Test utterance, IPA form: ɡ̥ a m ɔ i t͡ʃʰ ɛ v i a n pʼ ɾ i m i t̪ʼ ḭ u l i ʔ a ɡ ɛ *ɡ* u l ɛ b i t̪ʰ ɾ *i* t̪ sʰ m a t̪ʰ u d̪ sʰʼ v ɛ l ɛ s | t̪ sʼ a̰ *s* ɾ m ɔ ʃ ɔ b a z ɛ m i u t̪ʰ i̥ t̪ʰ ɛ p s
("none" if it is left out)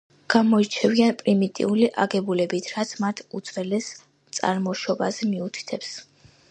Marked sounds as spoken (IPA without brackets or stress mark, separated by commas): b, a, none